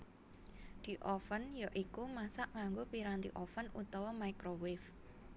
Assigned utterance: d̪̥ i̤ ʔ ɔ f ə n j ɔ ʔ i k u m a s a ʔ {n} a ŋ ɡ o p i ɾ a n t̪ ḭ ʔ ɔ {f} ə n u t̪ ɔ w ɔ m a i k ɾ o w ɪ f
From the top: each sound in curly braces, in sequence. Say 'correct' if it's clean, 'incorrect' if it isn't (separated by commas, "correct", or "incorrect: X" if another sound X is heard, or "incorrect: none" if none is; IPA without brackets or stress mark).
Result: incorrect: ŋ, correct